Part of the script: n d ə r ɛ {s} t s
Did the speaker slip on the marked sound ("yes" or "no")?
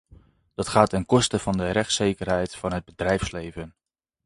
yes